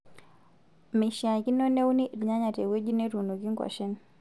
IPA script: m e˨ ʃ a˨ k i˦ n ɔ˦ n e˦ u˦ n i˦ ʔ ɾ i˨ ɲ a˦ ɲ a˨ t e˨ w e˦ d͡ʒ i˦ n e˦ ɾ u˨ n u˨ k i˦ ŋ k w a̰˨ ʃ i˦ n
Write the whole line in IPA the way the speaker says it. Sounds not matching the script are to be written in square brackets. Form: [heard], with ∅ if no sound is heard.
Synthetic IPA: m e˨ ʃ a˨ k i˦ n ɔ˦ n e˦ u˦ n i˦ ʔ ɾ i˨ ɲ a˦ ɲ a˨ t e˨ w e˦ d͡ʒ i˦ n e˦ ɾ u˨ n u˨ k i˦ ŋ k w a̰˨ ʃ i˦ n